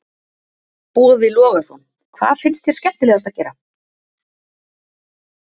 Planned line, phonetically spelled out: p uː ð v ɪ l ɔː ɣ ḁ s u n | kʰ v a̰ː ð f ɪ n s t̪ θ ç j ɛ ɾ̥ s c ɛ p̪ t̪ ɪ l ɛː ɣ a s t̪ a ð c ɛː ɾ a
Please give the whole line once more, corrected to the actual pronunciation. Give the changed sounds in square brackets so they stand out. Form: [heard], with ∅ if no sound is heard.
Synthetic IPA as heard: p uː ð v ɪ l ɔː ɣ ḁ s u n | kʰ v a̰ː ð f ɪ n s t̪ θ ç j ɛ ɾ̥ s c ɛ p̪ t̪ ɪ l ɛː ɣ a s t̪ a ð c ɛː ɾ a